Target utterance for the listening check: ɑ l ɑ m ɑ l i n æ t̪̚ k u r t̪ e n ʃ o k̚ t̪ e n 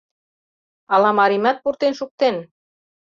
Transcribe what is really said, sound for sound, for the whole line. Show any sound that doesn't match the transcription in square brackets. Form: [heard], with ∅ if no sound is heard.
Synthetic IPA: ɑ l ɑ m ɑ [ɾ] i [m] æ t̪̚ [p] u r t̪ e n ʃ [u] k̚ t̪ e n